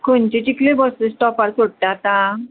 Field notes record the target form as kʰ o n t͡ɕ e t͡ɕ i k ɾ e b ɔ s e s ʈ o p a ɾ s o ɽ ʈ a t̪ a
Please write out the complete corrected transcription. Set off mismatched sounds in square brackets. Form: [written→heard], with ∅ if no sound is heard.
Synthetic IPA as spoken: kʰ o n t͡ɕ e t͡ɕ i k [ɾ→l] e b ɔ s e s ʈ [o→ɔ] p a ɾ s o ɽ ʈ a t̪ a